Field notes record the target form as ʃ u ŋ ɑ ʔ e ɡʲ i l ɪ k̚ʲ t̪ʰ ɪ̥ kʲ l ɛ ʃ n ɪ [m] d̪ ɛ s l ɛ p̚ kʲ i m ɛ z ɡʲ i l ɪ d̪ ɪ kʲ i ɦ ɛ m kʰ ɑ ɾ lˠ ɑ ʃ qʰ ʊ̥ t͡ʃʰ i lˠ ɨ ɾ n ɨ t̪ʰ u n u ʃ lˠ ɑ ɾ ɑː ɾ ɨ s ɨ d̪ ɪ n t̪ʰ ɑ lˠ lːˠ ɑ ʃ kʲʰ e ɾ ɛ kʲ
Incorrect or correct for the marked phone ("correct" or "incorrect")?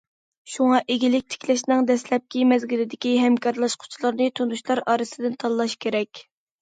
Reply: incorrect